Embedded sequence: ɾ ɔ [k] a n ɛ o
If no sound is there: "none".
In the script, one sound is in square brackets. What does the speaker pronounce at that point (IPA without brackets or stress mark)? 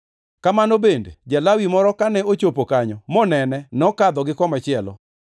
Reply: k